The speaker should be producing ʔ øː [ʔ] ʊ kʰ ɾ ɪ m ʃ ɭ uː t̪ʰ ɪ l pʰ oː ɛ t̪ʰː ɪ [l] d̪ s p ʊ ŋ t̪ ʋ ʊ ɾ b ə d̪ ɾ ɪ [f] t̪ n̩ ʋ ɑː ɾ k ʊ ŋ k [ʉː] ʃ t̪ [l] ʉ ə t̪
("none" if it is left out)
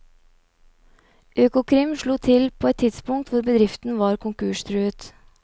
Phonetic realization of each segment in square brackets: k, none, f, ʉː, ɾ

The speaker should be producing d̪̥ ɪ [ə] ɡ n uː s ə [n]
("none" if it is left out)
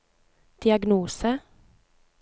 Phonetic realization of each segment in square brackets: ɑ, none

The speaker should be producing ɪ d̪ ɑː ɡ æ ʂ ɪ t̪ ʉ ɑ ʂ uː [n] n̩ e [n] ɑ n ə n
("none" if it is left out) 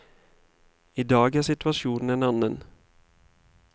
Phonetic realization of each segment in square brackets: n, n

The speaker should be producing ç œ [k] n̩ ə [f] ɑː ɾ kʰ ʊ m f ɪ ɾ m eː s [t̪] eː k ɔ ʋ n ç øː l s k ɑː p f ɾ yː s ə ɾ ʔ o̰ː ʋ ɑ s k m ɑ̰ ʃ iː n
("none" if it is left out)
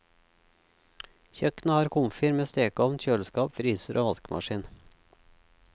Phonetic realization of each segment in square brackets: k, h, t̪

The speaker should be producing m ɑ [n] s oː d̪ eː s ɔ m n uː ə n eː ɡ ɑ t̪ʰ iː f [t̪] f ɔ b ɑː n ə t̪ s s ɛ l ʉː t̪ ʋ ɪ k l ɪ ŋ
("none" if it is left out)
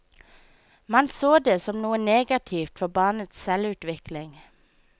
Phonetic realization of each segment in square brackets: n, t̪

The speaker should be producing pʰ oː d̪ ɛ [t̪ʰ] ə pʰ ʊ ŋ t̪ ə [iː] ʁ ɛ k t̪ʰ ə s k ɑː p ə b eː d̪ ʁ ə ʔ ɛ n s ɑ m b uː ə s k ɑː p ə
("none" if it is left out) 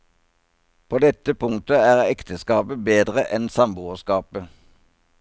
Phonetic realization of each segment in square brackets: t̪, æː

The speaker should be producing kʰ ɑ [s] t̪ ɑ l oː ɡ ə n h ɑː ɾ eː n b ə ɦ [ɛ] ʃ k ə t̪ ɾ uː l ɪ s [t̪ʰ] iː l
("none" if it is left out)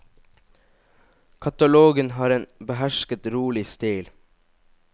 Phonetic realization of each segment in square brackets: none, æ, t̪

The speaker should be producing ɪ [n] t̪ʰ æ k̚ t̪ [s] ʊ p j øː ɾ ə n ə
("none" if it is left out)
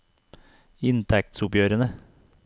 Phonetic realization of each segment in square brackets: n, s

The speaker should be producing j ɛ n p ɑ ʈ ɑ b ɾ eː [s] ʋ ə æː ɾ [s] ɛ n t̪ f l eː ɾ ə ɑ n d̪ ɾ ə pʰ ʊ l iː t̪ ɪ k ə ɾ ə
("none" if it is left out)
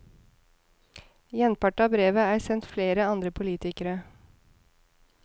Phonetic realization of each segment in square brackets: none, s

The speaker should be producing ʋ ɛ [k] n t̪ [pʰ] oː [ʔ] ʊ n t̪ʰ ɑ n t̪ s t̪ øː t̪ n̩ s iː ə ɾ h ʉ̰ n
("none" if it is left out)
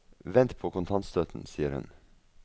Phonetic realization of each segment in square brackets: none, pʰ, k

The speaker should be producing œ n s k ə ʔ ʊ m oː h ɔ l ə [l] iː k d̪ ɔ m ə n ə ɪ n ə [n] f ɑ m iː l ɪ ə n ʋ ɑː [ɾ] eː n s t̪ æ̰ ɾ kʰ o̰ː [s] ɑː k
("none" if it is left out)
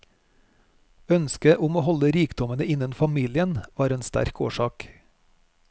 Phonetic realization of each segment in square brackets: ɾ, n, ɾ, ʃ

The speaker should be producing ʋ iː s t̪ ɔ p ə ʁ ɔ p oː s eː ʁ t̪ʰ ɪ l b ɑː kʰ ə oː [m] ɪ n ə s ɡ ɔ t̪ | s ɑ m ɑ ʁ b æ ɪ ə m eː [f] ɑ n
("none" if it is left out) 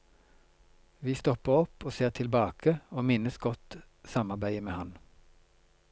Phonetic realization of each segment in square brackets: m, h

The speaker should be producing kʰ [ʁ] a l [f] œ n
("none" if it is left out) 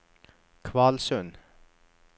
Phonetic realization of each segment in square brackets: v, s

